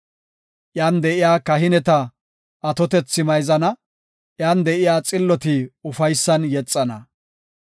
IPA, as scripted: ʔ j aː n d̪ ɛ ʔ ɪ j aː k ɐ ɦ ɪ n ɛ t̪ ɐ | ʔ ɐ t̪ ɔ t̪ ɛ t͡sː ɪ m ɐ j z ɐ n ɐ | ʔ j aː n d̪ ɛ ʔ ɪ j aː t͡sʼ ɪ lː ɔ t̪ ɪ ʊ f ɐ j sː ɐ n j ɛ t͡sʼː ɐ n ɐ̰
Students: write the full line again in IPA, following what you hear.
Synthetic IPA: ʔ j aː n d̪ ɛ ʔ ɪ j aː k ɐ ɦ ɪ n ɛ t̪ ɐ | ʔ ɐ t̪ ɔ t̪ ɛ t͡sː ɪ m ɐ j z ɐ n ɐ | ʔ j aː n d̪ ɛ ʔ ɪ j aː t͡sʼ ɪ lː ɔ t̪ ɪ ʊ f ɐ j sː ɐ n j ɛ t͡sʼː ɐ n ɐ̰